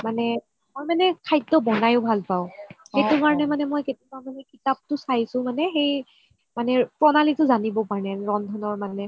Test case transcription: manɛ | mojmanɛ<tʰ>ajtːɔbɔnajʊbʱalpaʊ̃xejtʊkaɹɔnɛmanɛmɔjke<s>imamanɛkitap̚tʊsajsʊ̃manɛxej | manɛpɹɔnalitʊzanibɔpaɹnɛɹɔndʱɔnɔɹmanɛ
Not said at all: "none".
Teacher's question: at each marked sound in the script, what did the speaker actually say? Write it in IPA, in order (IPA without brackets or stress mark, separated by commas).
kʰ, t